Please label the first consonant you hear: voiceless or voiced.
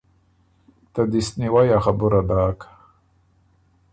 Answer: voiceless